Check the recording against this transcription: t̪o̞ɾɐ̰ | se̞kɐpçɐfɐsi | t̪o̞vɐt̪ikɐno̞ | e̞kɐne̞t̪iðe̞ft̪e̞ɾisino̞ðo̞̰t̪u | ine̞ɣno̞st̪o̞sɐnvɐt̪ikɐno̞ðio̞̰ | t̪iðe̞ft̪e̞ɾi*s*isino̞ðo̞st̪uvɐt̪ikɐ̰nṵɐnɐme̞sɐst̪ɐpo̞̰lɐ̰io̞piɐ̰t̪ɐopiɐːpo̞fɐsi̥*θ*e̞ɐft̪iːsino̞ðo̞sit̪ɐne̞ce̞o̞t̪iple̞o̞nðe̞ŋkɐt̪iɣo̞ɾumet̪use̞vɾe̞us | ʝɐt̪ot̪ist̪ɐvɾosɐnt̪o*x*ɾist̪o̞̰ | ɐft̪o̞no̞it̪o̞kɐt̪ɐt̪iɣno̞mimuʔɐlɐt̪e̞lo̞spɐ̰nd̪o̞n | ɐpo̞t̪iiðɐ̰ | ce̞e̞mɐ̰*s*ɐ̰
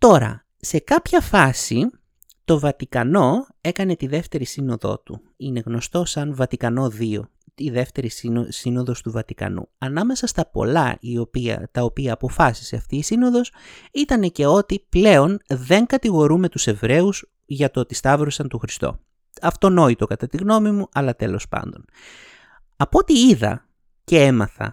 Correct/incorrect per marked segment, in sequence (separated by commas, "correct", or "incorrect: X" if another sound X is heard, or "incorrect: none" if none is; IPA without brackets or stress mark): correct, incorrect: s, correct, incorrect: θ